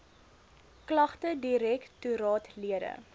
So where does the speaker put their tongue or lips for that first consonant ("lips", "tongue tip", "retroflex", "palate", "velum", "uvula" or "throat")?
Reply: velum